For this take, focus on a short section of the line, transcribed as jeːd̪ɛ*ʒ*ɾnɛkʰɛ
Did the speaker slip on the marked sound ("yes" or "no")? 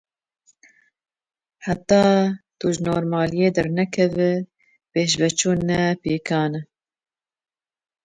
yes